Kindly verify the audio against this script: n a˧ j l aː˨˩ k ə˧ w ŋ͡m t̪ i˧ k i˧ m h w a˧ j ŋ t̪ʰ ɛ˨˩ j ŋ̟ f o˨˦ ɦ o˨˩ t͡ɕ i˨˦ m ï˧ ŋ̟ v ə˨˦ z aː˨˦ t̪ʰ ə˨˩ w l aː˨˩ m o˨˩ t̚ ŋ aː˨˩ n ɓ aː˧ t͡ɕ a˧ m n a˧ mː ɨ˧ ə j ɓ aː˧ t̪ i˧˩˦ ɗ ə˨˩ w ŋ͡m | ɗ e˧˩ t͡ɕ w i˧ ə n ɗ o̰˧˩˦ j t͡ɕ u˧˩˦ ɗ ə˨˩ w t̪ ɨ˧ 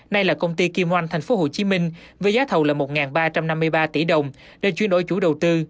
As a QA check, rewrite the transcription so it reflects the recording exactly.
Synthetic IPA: n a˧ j l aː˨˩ k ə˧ w ŋ͡m t̪ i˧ k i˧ m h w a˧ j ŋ t̪ʰ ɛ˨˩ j ŋ̟ f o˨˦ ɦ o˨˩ t͡ɕ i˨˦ m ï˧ ŋ̟ v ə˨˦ z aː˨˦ t̪ʰ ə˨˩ w l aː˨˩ m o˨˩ t̚ ŋ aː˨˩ n ɓ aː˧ t͡ɕ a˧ m n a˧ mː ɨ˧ ə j ɓ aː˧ t̪ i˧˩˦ ɗ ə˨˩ w ŋ͡m | ɗ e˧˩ t͡ɕ w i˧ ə n ɗ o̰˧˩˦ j t͡ɕ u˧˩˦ ɗ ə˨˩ w t̪ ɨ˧